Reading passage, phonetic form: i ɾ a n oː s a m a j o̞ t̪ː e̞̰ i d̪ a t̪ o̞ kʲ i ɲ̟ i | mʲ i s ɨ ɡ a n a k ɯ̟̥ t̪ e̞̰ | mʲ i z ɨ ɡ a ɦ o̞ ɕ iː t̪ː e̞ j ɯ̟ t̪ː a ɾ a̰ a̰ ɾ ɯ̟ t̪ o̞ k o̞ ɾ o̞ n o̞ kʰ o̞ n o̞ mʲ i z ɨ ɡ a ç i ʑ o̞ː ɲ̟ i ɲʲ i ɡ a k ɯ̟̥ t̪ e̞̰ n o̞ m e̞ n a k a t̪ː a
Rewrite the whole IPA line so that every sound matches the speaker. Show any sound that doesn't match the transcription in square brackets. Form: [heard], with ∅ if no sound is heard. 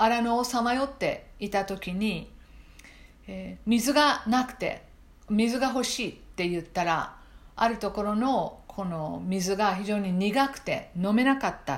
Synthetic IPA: [a] ɾ a n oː s a m a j o̞ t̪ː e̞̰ i [t̪] a t̪ o̞ kʲ i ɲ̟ i | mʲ i [z] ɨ ɡ a n a k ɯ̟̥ t̪ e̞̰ | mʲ i z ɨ ɡ a ɦ o̞ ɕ iː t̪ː e̞ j ɯ̟ t̪ː a ɾ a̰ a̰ ɾ ɯ̟ t̪ o̞ k o̞ ɾ o̞ n o̞ kʰ o̞ n o̞ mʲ i z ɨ ɡ a ç i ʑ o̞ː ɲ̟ i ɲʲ i ɡ a k ɯ̟̥ t̪ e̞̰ n o̞ m e̞ n a k a t̪ː a